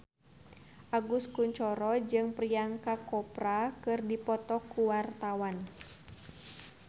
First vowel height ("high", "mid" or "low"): low